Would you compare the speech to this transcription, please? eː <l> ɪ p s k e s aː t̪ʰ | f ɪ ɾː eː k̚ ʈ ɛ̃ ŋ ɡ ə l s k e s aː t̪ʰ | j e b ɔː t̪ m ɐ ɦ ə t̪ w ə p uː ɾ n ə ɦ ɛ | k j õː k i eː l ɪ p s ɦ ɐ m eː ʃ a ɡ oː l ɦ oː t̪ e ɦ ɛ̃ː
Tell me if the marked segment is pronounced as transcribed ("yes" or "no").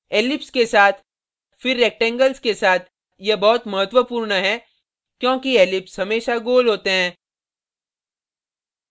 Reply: yes